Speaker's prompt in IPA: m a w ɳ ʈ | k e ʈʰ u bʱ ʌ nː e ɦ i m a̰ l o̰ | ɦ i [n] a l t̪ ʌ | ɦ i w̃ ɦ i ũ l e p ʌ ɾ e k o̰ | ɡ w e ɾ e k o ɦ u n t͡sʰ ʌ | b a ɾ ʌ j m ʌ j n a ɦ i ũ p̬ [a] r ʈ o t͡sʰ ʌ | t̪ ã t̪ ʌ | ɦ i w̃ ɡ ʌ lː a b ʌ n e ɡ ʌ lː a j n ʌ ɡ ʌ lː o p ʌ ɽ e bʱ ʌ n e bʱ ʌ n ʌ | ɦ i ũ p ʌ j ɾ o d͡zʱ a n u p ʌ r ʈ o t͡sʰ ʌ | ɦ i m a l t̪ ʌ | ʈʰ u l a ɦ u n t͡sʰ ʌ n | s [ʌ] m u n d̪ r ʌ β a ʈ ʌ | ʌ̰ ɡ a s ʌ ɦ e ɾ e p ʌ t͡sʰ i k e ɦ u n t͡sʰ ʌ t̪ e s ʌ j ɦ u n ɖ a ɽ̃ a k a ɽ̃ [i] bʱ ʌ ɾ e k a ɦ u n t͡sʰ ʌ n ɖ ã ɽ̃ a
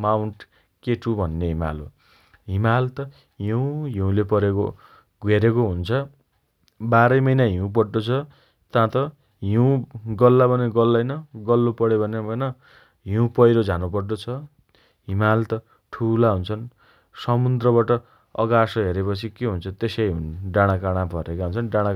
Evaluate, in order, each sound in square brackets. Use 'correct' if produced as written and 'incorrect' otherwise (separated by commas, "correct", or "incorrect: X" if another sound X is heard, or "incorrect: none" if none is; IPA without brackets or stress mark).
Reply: incorrect: m, incorrect: ʌ, correct, incorrect: a